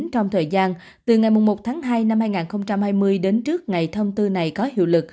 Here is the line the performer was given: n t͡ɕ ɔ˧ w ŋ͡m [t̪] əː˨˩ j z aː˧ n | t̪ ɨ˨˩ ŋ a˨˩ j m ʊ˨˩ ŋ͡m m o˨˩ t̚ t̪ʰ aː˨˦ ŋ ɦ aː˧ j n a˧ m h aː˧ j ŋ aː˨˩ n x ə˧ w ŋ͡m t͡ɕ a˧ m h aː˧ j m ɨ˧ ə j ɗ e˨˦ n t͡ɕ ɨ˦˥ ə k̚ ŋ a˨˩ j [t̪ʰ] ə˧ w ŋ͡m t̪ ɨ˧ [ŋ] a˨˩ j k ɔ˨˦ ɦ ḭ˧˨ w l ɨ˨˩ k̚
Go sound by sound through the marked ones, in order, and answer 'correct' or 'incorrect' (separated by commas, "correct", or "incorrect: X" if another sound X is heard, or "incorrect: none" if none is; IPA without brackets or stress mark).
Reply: incorrect: t̪ʰ, correct, incorrect: n